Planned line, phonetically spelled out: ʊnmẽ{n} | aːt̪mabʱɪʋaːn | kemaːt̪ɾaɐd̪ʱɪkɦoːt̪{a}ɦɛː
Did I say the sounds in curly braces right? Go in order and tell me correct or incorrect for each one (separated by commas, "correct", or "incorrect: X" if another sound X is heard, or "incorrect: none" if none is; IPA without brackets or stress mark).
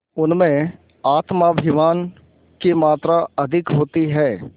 incorrect: none, incorrect: i